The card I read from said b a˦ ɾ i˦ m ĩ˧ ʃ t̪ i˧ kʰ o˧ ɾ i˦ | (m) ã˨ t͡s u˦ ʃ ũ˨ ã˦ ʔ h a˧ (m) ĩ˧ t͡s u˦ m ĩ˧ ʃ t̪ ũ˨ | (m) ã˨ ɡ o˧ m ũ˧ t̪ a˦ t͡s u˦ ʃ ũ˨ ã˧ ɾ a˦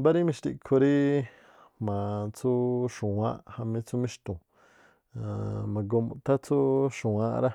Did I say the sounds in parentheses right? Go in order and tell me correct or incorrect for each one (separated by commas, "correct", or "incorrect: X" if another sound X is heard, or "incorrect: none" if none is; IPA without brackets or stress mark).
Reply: correct, correct, correct